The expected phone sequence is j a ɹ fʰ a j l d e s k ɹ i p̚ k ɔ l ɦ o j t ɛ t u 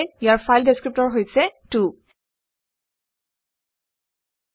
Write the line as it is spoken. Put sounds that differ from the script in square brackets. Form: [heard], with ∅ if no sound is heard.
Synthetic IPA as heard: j a ɹ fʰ a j l d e s k ɹ i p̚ [t] ɔ [ɹ] ɦ o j [s] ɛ t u